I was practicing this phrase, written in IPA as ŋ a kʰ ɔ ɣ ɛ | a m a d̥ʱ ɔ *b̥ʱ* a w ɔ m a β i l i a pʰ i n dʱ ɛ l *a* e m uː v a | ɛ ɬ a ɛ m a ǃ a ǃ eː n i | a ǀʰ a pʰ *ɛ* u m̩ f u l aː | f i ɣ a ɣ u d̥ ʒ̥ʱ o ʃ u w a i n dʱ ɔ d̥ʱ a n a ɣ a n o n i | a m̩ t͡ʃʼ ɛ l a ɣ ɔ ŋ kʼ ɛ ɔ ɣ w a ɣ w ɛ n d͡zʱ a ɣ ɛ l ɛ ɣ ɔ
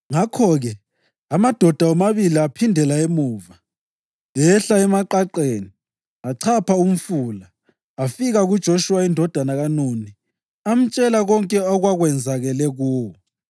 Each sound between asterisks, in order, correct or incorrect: incorrect: d̥ʱ, correct, incorrect: a

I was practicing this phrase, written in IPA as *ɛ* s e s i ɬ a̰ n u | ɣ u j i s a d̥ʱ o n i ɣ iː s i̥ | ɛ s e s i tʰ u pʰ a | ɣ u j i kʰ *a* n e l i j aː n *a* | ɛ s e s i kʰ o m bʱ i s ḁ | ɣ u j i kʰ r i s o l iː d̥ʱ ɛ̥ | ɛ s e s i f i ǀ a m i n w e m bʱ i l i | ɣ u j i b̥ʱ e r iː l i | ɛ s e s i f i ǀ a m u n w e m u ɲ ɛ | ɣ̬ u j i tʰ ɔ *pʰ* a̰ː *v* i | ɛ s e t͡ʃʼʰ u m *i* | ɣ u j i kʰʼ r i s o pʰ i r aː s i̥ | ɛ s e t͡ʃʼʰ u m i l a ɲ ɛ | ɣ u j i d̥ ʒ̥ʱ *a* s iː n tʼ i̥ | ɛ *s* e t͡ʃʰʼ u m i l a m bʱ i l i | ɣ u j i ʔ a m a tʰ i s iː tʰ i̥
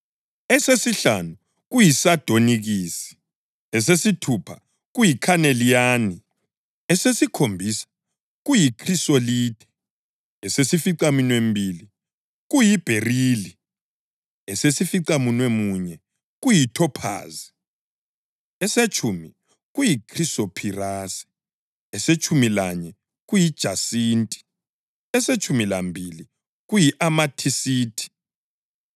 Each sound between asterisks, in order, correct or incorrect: correct, correct, incorrect: i, correct, incorrect: z, correct, correct, correct

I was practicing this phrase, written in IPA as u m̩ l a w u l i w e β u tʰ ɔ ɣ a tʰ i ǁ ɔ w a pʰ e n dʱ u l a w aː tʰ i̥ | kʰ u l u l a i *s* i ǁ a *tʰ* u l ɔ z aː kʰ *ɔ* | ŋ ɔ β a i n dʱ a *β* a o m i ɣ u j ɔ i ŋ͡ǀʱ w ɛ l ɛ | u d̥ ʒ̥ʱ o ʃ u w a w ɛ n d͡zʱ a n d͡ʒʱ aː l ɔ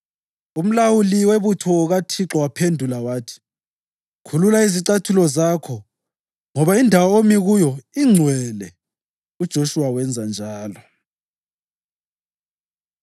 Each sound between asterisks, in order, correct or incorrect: incorrect: z, correct, correct, incorrect: w

